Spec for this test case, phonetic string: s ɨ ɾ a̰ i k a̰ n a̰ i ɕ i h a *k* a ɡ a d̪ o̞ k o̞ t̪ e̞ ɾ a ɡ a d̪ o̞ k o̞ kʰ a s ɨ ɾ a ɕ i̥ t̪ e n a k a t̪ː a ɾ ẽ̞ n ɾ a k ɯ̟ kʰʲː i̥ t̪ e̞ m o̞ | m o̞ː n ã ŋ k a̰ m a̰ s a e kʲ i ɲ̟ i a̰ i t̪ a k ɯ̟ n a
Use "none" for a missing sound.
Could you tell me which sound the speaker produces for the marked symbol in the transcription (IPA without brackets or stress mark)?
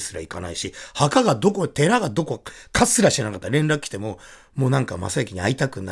k